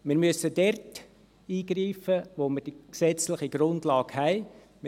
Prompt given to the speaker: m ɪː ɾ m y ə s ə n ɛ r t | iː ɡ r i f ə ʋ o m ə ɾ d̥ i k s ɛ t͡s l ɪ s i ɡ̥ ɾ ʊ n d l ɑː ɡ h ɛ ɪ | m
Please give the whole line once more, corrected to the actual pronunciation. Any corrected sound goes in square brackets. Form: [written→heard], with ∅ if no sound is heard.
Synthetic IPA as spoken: m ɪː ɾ m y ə s ə [n→d] ɛ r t | iː ɡ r [i→iː] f ə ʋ o m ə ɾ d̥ i k s ɛ t͡s l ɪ [s→χ] i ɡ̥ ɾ ʊ n d l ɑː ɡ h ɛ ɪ | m